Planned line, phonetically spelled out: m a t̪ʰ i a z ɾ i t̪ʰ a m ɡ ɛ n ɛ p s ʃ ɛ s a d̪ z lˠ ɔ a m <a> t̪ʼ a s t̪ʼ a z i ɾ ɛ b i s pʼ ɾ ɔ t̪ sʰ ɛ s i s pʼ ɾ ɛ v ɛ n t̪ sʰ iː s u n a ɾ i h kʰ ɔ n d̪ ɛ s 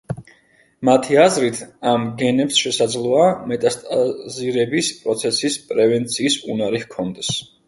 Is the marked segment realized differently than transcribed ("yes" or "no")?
yes